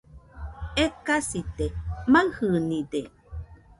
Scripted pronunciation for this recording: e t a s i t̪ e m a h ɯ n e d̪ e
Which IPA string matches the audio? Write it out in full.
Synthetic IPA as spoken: e k a s i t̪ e m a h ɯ n i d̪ e

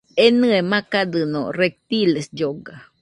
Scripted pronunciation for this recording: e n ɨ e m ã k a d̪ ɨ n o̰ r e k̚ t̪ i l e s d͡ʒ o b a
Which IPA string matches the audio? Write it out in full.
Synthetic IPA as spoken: e n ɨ e m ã k a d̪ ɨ n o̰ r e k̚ t̪ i l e s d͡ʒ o ɡ a

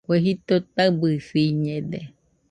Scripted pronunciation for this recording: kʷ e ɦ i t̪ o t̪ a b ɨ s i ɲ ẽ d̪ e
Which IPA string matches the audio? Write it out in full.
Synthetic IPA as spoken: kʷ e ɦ i t̪ o t̪ a b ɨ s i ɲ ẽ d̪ e

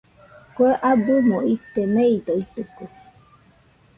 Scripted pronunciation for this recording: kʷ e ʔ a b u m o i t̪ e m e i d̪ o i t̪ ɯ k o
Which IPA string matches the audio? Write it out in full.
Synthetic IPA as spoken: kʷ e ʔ a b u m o i t̪ e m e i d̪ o i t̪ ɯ k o

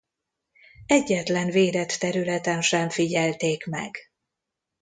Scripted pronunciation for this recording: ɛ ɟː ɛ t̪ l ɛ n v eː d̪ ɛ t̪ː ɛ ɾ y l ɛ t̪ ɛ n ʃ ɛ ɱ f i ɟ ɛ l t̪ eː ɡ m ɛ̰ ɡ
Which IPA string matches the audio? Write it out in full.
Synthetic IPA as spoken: ɛ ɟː ɛ t̪ l ɛ n v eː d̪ ɛ t̪ː ɛ ɾ y l ɛ t̪ ɛ n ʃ ɛ ɱ f i ɟ ɛ l t̪ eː k m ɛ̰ ɡ

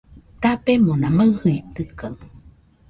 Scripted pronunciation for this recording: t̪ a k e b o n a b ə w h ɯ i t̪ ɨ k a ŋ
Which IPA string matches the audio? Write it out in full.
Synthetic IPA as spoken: t̪ a p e m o n a m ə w h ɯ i t̪ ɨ k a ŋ

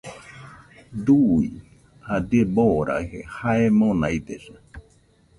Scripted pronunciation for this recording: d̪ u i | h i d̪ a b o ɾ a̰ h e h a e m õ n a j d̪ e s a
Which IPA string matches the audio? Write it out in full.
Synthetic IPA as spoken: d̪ u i | h a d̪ e b o ɾ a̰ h e h a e m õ n a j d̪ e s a

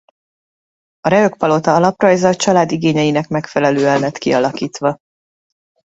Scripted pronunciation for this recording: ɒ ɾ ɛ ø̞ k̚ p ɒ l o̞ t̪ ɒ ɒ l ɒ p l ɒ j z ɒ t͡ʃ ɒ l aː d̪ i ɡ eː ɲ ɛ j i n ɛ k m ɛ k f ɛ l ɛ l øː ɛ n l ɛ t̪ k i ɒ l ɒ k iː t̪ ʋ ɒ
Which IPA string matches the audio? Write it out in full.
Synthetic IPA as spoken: ɒ ɾ ɛ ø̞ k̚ p ɒ l o̞ t̪ ɒ ɒ l ɒ p r ɒ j z ɒ t͡ʃ ɒ l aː d̪ i ɡ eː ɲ ɛ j i n ɛ k m ɛ k f ɛ l ɛ l øː ɛ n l ɛ t̪ k i ɒ l ɒ k iː t̪ ʋ ɒ

